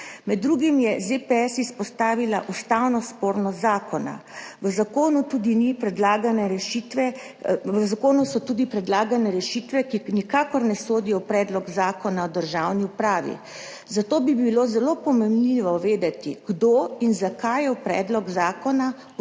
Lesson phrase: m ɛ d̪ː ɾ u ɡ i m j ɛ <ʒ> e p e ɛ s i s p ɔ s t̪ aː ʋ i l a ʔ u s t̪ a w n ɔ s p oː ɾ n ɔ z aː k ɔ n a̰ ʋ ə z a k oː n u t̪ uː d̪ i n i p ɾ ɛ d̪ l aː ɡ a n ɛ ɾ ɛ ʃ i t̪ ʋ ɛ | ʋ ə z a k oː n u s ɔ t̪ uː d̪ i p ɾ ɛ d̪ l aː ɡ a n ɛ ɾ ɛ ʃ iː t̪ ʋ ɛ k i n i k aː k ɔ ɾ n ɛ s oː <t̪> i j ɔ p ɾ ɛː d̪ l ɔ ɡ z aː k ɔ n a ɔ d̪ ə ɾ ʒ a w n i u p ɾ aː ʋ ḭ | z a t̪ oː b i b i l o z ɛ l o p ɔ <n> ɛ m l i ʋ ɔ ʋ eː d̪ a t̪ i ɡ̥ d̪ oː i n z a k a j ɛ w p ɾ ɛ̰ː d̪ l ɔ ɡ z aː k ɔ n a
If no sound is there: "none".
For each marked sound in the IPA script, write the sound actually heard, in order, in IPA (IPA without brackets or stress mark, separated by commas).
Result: z, d̪, m